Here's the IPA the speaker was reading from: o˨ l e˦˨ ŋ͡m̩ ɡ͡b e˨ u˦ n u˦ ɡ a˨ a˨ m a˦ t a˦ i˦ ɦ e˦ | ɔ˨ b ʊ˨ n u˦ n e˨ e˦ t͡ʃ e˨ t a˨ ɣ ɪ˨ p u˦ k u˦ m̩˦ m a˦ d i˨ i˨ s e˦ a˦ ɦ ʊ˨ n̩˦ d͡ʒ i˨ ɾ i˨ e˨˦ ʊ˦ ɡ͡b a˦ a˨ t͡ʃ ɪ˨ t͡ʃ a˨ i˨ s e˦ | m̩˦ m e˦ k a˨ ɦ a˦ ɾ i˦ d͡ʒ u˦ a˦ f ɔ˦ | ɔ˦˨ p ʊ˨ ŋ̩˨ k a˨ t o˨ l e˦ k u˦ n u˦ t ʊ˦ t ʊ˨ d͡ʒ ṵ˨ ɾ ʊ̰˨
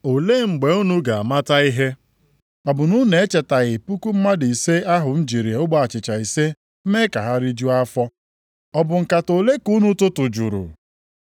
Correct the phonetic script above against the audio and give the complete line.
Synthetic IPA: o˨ l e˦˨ ŋ͡m̩ ɡ͡b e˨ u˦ n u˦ ɡ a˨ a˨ m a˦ t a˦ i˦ ɦ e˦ | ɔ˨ b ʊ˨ n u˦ n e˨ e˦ t͡ʃ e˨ t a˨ ɣ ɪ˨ p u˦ k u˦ m̩˦ m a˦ d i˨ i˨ s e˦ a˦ ɦ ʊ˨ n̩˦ d͡ʒ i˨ ɾ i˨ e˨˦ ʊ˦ ɡ͡b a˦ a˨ t͡ʃ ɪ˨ t͡ʃ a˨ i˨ s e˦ | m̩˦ m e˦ k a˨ ɦ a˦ ɾ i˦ d͡ʒ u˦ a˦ f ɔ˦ | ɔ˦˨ b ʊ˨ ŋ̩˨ k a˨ t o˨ l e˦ k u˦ n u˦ t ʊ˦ t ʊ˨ d͡ʒ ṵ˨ ɾ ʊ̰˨

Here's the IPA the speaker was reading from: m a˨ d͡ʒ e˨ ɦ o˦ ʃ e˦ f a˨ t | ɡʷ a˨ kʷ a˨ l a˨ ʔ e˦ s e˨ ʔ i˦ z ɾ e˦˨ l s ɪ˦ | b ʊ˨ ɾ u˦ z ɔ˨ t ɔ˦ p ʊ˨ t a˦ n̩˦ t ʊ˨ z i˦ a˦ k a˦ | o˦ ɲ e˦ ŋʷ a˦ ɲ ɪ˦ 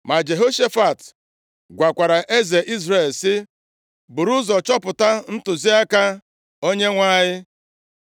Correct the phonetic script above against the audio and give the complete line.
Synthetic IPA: m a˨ d͡ʒ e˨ ɦ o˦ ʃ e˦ f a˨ t | ɡʷ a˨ kʷ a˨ ɾ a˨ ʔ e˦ z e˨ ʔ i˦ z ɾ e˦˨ l s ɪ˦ | b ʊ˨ ɾ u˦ z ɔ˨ t͡ʃ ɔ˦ p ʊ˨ t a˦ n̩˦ t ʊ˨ z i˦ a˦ k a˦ | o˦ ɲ e˦ ŋʷ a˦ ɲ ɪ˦

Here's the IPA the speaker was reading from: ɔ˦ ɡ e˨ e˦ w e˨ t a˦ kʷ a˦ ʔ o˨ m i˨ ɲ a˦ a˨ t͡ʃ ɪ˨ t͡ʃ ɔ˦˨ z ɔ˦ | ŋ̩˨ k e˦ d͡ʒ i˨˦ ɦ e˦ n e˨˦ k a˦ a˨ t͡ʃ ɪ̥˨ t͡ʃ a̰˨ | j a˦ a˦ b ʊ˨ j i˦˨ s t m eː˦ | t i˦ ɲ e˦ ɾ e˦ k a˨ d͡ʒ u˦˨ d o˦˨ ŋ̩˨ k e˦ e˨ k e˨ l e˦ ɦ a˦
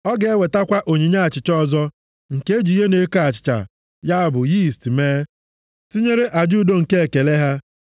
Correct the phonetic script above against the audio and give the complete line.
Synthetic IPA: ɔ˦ ɡ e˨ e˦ w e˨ t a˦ kʷ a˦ ʔ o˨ ɲ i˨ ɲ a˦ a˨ t͡ʃ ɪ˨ t͡ʃ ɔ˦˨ z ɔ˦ | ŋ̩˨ k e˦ d͡ʒ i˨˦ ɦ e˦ n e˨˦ k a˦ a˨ t͡ʃ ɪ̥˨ t͡ʃ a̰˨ | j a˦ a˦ b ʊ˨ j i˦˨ s t m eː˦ | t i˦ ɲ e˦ ɾ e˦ ʔ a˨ d͡ʒ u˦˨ d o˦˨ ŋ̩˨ k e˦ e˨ k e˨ l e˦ ɦ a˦

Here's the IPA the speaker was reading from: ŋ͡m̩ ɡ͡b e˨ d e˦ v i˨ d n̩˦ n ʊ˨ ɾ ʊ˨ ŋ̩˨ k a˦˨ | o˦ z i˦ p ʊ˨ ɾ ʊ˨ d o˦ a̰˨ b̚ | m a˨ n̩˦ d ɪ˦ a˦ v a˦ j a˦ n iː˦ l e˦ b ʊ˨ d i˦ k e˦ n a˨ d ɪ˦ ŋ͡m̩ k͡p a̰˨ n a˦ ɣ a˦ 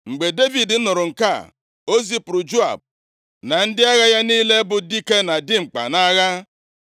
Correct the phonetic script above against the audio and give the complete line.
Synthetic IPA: ŋ͡m̩ ɡ͡b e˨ d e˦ v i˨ d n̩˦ n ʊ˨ ɾ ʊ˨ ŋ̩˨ k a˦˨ | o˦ z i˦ p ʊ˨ ɾ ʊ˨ d͡ʒ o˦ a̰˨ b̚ | n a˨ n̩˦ d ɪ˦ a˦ ɣ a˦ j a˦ n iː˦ l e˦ b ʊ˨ d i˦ k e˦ n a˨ d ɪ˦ ŋ͡m̩ k͡p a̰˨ n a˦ ɣ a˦

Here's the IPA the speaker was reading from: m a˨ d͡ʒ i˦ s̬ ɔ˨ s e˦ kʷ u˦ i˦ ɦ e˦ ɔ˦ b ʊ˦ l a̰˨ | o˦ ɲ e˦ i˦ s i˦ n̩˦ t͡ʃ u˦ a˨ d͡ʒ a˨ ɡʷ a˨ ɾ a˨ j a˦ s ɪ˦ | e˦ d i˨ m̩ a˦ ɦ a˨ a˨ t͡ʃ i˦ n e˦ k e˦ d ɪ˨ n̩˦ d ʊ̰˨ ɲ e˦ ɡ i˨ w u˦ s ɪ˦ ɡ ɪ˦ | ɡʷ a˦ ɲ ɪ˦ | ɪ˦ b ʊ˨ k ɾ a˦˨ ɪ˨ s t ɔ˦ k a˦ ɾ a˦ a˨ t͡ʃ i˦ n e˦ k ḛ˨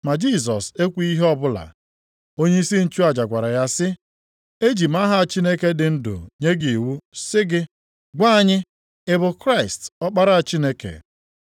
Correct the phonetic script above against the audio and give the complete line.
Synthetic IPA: m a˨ d͡ʒ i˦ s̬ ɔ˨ s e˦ kʷ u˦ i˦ ɦ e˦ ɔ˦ b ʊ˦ l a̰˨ | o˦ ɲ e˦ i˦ s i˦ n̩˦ t͡ʃ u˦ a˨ d͡ʒ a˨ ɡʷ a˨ ɾ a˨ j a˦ s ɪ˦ | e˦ d͡ʒ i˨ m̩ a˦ ɦ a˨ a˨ t͡ʃ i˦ n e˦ k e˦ d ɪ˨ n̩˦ d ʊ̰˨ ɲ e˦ ɡ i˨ w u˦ s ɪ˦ ɡ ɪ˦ | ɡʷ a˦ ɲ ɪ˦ | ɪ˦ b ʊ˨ k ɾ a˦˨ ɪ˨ s t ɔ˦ k͡p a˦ ɾ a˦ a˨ t͡ʃ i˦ n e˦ k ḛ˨

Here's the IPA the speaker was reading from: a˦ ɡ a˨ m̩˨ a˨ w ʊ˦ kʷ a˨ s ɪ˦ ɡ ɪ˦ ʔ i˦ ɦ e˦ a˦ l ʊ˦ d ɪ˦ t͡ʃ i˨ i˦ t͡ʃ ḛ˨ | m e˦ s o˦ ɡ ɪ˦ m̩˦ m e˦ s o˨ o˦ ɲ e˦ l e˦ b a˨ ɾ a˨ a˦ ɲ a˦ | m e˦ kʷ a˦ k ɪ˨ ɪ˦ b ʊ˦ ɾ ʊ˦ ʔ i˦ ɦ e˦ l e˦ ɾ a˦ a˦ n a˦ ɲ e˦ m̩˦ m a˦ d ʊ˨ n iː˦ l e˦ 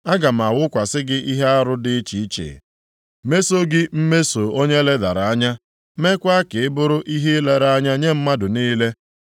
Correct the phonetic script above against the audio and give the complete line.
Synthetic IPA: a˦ ɡ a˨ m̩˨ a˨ w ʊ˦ kʷ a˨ s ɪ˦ ɡ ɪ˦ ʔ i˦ ɦ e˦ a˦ ɾ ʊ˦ d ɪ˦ t͡ʃ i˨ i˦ t͡ʃ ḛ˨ | m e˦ s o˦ ɡ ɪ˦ m̩˦ m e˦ s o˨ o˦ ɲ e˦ l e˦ d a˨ ɾ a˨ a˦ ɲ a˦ | m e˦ kʷ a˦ k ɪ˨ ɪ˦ b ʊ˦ ɾ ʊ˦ ʔ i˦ ɦ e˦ l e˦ ɾ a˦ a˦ ɲ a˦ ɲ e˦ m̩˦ m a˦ d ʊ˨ n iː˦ l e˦

